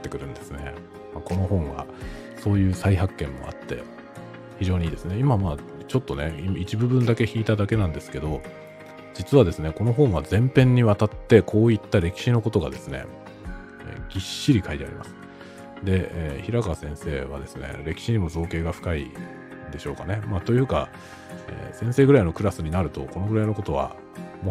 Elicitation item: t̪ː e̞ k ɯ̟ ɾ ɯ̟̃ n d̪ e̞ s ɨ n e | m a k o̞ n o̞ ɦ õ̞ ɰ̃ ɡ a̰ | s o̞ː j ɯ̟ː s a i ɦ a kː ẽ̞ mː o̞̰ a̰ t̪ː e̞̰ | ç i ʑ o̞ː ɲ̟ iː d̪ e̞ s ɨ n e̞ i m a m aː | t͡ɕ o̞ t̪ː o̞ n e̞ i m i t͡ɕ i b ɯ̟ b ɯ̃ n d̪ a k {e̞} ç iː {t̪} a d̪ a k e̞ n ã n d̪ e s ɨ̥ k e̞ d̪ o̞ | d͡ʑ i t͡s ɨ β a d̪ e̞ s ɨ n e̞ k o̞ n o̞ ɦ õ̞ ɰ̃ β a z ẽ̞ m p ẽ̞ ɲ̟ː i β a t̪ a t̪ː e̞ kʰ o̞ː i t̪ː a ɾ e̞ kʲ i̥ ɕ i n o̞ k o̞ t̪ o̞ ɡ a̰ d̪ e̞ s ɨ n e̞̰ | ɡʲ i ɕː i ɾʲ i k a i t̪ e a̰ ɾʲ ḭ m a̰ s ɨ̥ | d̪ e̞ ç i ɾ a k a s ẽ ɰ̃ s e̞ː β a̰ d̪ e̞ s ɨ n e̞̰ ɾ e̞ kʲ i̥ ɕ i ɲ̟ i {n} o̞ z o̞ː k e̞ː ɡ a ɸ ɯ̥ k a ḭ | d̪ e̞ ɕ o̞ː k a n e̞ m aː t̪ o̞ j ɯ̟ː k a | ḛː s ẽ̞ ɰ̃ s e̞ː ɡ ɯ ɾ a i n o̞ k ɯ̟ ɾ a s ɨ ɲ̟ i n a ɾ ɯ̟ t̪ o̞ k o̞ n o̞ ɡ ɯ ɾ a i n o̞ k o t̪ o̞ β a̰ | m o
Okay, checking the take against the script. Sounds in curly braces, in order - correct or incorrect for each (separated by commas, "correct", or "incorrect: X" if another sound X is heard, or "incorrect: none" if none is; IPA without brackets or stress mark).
correct, correct, incorrect: m